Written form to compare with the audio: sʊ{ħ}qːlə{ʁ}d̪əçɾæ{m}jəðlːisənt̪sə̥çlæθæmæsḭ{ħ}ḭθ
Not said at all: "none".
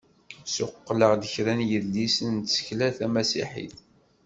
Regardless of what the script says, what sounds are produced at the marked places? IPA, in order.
none, ʁ, n, ħ

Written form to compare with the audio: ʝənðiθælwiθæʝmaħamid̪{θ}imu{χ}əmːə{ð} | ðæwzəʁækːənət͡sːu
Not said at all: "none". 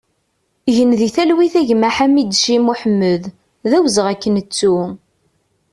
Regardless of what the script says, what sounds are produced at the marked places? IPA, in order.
ʃ, ħ, ð

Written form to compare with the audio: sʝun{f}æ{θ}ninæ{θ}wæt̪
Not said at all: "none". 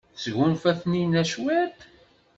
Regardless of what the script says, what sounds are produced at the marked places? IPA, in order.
f, θ, ʃ

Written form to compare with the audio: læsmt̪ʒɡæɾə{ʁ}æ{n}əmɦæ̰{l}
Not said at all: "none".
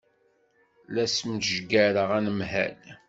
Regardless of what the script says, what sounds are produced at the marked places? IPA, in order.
ʁ, n, l

